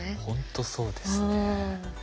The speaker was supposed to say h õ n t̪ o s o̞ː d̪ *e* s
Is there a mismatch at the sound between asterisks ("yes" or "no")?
no